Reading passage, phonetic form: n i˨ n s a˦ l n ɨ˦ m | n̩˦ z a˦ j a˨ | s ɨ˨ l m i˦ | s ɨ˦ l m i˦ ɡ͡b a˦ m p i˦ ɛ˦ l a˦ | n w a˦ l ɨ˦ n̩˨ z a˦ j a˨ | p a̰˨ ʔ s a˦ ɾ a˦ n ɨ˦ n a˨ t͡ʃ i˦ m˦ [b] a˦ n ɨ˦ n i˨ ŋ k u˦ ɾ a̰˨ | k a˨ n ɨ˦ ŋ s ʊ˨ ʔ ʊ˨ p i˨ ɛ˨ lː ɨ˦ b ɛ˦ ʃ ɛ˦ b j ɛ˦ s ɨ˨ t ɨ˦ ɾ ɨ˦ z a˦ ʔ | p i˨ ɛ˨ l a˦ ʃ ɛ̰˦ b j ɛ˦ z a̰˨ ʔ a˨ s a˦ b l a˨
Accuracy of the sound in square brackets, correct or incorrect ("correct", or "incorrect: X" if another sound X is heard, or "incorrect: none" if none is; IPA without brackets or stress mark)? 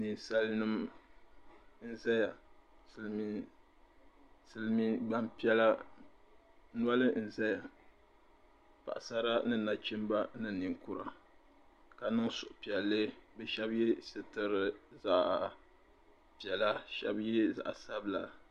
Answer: correct